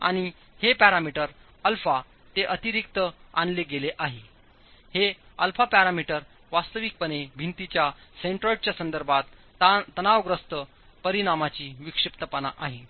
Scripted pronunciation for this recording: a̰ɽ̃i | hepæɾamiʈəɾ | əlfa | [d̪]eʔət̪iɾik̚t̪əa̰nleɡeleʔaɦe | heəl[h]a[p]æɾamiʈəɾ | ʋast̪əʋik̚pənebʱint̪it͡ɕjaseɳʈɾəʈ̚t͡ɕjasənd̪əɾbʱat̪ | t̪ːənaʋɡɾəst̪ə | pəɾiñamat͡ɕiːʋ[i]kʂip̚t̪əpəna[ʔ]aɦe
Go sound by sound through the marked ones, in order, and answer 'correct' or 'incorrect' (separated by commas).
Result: incorrect, incorrect, correct, correct, correct